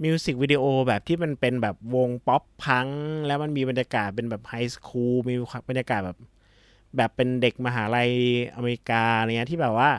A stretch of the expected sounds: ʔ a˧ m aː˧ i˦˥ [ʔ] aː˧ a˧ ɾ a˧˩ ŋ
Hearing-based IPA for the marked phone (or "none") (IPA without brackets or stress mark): k